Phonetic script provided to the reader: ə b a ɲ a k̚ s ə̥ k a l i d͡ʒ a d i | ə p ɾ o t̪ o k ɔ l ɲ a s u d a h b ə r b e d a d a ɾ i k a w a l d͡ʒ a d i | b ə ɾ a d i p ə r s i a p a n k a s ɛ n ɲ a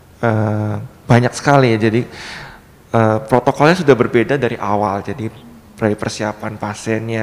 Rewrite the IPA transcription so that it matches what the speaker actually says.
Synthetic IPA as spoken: ə b a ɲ a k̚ s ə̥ k a l i d͡ʒ a d i | ə p ɾ o t̪ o k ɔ l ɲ a s u d a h b ə r b e d a d a ɾ i ʔ a w a l d͡ʒ a d i | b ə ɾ a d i p ə r s i a p a n p a s ɛ n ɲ a